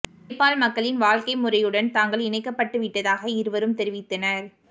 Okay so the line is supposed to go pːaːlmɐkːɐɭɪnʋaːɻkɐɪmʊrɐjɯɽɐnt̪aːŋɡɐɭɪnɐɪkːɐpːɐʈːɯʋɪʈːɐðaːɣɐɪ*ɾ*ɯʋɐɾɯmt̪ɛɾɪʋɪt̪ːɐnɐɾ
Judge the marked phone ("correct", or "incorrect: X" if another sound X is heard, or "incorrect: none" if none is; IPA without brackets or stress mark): correct